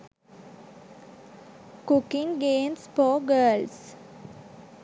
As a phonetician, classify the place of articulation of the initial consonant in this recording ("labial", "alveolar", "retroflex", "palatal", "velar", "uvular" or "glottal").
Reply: velar